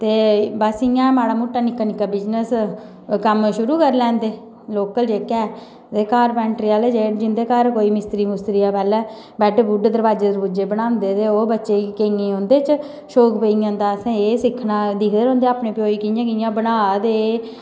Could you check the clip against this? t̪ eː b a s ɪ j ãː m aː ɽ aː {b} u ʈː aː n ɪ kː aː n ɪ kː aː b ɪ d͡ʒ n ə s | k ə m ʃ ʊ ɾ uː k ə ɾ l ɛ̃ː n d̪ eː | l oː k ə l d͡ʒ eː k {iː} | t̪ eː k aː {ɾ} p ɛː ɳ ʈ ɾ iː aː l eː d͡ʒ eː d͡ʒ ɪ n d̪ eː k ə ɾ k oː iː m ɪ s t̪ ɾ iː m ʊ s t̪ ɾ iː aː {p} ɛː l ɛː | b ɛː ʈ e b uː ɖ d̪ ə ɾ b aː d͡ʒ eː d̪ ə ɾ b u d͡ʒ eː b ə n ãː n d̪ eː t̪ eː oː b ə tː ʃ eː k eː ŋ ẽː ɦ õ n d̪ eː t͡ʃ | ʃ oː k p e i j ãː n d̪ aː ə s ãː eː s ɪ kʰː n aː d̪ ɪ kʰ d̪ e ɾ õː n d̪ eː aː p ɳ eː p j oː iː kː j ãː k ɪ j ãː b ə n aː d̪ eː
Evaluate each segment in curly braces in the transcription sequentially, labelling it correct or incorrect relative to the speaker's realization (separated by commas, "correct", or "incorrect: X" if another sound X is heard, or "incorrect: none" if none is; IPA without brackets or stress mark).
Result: incorrect: m, incorrect: ɛː, correct, correct